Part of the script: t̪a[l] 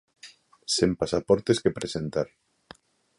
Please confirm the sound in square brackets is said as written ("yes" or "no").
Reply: no